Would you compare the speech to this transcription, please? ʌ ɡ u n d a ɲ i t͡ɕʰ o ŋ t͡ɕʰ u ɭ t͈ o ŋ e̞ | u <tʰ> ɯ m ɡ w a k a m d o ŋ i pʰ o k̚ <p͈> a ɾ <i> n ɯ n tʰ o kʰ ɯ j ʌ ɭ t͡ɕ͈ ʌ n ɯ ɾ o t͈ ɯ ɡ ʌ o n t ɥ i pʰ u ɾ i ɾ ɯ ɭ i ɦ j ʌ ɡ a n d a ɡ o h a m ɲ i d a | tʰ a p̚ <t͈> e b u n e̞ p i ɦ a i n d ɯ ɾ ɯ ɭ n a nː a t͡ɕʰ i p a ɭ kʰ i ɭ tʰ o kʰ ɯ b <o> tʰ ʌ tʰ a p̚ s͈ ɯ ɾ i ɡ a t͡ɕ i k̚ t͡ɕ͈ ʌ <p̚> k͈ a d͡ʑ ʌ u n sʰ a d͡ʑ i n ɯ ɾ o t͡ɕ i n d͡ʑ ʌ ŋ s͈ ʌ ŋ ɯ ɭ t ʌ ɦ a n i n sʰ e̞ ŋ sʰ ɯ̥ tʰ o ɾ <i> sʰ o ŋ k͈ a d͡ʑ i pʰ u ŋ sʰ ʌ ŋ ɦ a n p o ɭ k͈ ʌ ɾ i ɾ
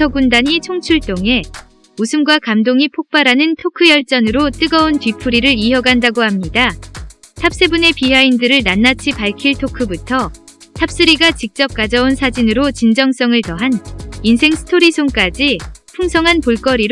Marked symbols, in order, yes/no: no, yes, no, no, no, yes, yes

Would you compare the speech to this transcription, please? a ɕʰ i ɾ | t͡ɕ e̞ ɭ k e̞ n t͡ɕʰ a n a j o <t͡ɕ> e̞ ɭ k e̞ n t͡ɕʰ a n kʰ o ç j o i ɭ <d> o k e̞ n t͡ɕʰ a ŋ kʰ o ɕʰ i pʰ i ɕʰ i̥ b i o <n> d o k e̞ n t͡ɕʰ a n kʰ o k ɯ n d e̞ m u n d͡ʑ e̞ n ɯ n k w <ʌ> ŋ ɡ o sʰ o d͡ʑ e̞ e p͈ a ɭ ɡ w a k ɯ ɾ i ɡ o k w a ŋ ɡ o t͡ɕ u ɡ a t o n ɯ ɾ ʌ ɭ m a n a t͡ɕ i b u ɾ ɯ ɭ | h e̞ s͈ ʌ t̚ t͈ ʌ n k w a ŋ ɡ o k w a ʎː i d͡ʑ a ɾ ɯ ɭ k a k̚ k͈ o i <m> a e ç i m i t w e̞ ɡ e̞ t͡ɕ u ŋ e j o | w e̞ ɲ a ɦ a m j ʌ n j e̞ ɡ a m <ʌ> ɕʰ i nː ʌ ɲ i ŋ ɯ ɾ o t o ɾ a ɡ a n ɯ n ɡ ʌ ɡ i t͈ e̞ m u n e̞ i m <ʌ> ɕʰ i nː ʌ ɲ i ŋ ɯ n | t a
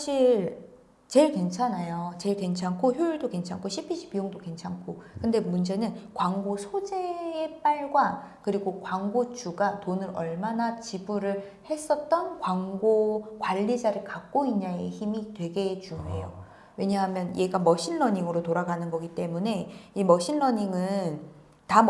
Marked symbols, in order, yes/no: yes, yes, no, no, no, yes, yes

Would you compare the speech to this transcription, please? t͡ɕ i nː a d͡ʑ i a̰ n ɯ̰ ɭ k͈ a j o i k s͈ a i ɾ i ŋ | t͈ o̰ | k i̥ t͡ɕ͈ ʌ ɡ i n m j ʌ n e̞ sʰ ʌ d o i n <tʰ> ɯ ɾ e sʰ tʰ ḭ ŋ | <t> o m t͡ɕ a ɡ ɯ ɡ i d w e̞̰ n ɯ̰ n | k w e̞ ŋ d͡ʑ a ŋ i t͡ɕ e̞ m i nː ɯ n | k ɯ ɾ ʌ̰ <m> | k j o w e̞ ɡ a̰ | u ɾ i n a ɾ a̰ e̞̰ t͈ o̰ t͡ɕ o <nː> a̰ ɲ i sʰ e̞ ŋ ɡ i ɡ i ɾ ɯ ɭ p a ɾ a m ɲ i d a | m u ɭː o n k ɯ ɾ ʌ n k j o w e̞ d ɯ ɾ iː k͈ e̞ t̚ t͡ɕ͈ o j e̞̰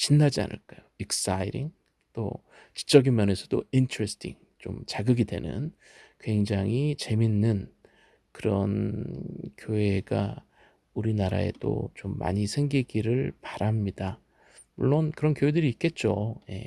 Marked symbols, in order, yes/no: yes, no, no, no

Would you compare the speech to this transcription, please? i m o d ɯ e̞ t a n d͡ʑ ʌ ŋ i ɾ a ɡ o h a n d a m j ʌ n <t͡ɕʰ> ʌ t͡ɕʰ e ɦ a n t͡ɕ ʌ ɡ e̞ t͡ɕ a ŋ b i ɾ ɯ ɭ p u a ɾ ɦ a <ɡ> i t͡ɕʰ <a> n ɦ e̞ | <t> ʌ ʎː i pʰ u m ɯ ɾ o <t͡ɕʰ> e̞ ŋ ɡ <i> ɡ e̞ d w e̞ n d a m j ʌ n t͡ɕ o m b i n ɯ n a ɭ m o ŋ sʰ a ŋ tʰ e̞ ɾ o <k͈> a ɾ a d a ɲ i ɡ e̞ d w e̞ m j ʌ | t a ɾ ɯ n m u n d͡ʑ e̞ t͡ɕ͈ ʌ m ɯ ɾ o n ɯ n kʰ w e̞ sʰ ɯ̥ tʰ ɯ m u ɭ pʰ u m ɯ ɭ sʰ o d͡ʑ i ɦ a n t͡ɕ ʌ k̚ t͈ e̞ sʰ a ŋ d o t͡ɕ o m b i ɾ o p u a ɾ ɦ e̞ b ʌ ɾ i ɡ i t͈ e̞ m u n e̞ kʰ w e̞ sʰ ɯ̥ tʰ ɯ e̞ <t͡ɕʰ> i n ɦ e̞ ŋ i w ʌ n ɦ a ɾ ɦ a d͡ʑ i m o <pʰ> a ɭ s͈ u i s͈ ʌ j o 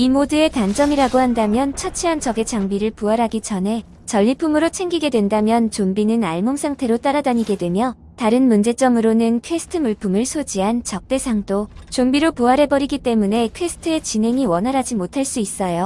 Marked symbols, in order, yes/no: yes, yes, no, no, yes, yes, no, no, no

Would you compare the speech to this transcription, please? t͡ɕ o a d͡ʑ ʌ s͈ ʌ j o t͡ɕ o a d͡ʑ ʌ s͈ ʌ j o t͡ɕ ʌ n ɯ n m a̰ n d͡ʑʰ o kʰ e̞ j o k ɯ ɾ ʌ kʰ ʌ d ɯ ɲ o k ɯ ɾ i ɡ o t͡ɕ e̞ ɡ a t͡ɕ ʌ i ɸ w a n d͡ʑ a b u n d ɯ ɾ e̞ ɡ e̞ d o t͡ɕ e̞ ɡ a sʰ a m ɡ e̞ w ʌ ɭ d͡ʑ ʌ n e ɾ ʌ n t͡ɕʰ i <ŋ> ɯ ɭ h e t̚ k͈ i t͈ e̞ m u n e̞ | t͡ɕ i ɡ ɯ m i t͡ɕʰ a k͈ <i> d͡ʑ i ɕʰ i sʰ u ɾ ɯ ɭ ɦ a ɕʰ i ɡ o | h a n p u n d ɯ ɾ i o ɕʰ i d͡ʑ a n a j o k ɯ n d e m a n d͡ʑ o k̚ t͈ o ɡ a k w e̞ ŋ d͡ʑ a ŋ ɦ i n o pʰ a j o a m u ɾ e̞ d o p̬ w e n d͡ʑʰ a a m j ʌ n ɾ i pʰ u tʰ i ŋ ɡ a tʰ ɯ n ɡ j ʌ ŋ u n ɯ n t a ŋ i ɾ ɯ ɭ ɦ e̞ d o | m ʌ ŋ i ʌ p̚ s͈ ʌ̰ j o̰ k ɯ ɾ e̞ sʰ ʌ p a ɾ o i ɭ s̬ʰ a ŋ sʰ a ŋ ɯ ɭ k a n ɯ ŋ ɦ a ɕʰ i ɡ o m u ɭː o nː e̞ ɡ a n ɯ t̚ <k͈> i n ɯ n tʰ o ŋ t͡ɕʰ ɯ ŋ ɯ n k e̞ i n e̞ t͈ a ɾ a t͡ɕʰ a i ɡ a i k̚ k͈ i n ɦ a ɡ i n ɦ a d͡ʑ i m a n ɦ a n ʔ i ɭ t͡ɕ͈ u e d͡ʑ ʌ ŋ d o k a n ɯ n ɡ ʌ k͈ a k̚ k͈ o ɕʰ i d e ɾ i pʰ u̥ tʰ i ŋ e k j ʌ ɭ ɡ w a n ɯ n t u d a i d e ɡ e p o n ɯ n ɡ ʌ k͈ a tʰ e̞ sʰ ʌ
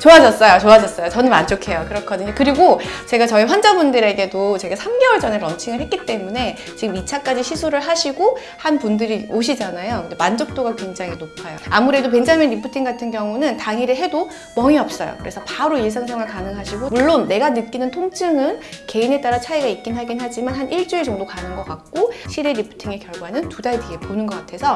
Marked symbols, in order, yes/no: yes, no, yes

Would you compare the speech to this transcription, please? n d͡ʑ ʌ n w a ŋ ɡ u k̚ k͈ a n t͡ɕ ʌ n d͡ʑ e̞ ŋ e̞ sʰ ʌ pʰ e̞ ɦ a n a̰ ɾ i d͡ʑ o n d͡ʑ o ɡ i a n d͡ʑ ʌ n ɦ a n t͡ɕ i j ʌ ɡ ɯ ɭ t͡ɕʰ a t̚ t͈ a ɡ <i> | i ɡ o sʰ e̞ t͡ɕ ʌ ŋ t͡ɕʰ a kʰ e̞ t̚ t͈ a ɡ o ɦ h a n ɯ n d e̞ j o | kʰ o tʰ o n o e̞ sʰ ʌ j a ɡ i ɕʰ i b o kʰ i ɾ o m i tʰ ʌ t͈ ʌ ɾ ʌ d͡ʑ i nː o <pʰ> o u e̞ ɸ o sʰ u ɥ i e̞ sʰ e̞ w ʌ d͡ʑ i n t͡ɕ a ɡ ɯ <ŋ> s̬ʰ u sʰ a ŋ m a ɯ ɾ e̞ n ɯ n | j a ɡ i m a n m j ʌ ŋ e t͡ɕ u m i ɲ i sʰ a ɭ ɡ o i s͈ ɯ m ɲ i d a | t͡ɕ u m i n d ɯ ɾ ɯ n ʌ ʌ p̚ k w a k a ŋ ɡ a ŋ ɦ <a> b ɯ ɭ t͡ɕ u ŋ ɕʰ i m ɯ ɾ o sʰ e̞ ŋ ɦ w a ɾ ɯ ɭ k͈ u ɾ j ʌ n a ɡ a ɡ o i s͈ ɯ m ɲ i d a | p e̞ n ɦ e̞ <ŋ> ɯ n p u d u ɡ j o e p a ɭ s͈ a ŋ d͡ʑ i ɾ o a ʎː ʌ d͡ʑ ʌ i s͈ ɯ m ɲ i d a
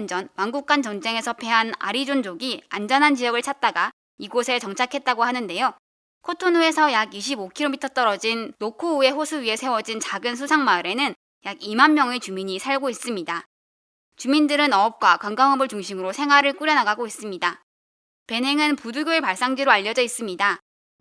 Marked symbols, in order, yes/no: no, no, no, no, yes

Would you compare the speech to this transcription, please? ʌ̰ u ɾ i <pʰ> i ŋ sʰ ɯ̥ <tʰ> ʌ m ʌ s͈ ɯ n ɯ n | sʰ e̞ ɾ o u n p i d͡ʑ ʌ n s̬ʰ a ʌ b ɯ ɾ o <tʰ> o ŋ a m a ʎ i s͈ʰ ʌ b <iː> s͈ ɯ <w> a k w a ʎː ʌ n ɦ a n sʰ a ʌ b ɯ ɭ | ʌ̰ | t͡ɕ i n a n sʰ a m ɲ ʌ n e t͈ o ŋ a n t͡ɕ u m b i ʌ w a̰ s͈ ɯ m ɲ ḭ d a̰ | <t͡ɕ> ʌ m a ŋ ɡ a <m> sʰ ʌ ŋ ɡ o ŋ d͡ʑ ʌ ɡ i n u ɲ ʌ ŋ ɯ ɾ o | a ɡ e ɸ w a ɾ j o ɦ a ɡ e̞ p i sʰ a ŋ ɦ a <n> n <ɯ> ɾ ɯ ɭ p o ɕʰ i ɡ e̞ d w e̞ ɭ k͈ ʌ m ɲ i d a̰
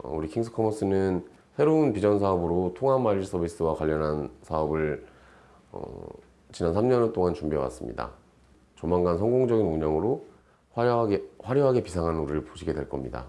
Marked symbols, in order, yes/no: no, no, yes, no, yes, yes, no, yes, no

